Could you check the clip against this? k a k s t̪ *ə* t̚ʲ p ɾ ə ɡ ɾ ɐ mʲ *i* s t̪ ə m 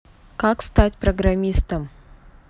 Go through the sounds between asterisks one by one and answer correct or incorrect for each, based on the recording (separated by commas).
incorrect, correct